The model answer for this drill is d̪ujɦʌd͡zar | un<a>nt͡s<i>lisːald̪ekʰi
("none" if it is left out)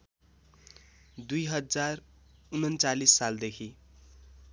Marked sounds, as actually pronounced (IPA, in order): ʌ, a

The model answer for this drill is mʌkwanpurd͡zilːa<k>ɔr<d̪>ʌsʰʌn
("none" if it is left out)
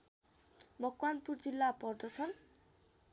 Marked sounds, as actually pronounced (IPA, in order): p, d̪

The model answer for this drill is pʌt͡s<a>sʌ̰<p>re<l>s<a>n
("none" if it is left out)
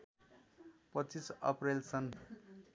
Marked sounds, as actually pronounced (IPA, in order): i, p, l, ʌ

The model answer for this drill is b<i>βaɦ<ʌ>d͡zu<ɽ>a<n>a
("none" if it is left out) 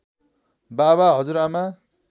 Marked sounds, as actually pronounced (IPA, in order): a, ʌ, ɾ, m

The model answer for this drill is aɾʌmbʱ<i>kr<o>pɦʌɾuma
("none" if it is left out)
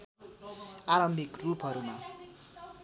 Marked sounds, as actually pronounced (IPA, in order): i, u

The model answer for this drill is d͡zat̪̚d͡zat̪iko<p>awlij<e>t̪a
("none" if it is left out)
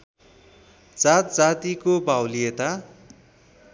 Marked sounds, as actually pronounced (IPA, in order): b, e

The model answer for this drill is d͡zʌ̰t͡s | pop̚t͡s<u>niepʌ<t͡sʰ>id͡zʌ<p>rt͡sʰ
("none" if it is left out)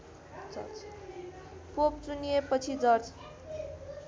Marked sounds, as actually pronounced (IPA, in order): u, t͡sʰ, none

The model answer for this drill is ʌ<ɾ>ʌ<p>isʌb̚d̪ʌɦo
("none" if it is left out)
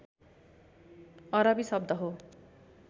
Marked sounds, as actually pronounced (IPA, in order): ɾ, b

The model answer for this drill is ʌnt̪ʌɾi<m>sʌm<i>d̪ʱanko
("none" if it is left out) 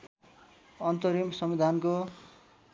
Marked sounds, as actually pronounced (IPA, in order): m, i

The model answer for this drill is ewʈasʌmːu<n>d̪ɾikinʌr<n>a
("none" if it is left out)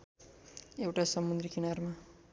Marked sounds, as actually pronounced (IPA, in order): n, m

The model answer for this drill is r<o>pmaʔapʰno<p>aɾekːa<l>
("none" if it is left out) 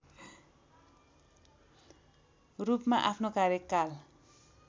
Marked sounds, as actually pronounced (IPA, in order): u, k, l

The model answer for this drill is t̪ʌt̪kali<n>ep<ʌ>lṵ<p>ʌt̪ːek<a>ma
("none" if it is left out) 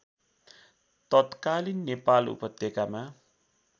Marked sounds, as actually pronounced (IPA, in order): nː, a, p, a

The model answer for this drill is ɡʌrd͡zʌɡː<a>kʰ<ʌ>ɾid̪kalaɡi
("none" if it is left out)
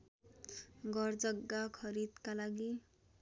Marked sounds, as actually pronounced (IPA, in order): a, ʌ

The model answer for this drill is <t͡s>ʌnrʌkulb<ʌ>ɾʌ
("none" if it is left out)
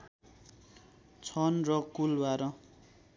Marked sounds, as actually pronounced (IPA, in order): t͡sʰ, a

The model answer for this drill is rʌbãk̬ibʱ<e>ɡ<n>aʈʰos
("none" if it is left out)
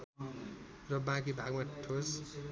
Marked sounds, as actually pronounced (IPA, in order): a, m

